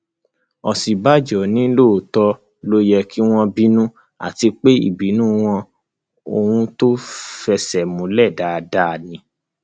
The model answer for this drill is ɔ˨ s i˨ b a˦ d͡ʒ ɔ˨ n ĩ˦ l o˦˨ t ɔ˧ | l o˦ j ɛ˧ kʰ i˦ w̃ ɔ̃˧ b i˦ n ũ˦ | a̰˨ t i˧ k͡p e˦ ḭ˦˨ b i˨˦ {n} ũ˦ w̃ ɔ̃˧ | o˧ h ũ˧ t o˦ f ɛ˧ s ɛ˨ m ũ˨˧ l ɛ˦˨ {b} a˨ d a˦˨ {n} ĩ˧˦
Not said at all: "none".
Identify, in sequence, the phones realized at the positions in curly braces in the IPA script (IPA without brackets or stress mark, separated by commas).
n, d, n